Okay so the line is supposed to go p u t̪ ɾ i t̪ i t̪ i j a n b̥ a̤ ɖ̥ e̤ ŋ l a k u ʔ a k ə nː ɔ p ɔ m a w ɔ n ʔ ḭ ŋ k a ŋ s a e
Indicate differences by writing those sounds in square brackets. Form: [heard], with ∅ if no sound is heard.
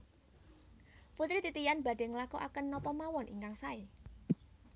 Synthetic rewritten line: p u t̪ ɾ i t̪ i t̪ i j a n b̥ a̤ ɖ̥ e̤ ŋ l a k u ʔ a k ə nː ɔ p ɔ m a w ɔ n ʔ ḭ ŋ k a ŋ s a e